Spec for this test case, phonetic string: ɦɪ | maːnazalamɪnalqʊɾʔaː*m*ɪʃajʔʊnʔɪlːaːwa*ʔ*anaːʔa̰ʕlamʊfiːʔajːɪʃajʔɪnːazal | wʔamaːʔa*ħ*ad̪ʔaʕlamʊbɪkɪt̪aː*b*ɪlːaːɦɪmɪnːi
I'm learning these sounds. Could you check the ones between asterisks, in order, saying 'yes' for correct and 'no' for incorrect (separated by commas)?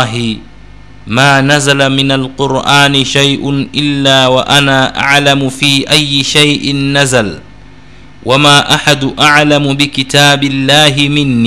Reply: no, yes, yes, yes